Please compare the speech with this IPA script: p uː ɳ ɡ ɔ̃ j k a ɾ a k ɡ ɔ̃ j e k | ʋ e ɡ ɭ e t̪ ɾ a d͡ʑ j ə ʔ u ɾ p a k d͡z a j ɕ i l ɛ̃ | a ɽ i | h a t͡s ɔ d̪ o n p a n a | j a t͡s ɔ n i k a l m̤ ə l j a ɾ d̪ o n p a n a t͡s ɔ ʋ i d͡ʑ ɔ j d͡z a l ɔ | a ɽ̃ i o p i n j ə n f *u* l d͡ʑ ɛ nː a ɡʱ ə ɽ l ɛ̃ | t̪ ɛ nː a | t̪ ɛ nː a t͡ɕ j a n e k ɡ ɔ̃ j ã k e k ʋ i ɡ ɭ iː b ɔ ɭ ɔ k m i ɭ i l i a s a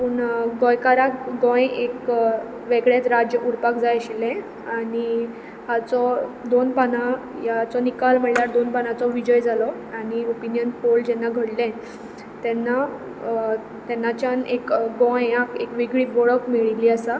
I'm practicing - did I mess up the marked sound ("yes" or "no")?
yes